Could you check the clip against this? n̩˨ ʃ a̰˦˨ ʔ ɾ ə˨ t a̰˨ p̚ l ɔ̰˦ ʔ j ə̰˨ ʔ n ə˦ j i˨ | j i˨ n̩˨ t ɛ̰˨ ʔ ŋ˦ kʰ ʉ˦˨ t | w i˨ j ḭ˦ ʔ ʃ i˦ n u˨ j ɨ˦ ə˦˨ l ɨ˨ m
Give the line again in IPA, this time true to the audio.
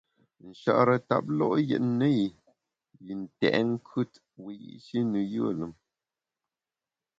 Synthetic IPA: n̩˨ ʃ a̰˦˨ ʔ ɾ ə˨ t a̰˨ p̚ l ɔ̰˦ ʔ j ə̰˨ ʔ n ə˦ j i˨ | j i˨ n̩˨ t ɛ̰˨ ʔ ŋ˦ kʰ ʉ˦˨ t | w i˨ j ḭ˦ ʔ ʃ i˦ n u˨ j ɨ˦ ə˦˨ l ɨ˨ m

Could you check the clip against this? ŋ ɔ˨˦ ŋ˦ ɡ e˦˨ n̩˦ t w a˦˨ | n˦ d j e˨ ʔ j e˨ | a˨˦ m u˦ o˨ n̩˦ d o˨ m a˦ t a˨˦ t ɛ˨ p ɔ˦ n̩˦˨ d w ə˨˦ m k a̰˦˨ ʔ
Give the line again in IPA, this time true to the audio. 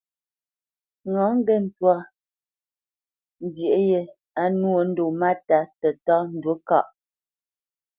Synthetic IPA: ŋ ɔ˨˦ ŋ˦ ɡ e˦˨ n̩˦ t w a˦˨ | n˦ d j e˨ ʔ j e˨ | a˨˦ n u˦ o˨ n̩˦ d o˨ m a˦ t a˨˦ t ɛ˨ t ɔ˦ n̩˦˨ d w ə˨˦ k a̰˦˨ ʔ

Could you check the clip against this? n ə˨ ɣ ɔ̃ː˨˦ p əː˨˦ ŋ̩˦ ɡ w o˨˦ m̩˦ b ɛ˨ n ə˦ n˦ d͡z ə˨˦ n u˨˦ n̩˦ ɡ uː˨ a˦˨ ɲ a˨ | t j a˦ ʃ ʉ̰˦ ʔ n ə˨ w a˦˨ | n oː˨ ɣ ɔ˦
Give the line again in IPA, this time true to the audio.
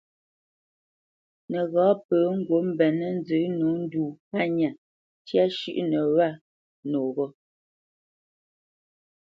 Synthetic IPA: n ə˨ ɣ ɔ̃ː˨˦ p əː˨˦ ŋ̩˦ ɡ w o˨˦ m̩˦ b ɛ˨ n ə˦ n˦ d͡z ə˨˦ n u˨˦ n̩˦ d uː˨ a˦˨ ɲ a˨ | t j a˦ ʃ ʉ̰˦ ʔ n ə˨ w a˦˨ | n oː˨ ɣ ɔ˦

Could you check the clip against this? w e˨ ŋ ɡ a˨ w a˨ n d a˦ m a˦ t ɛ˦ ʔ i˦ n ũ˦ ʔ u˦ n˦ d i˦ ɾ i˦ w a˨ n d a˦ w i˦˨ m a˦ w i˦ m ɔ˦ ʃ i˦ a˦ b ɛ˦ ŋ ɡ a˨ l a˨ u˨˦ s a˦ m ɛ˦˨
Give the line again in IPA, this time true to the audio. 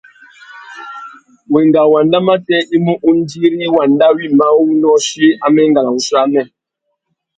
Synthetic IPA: w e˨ ŋ ɡ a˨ w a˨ n d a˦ m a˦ t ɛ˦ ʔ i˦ m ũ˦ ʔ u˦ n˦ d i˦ ɾ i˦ w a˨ n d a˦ w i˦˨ m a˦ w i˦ n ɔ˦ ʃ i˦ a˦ m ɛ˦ ŋ ɡ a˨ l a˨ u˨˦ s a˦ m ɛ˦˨

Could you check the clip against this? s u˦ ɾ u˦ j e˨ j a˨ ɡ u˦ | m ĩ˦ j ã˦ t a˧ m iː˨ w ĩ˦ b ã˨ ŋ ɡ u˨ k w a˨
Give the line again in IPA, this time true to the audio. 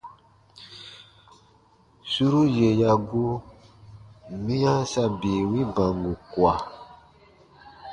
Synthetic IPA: s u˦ ɾ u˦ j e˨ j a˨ ɡ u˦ | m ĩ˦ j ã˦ s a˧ b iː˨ w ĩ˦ b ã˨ ŋ ɡ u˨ k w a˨

